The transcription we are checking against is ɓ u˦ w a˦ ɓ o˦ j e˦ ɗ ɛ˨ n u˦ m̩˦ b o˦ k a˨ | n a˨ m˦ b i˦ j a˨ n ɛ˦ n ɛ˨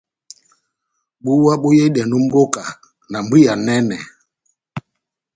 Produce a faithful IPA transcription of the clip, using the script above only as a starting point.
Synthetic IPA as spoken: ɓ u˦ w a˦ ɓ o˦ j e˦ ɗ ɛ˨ n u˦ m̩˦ b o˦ k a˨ | n a˨ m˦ b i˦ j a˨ n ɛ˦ n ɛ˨